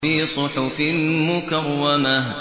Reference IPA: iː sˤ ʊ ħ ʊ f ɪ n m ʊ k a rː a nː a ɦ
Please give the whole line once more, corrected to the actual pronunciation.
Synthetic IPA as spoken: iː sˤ ʊ ħ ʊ f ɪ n m ʊ k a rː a n a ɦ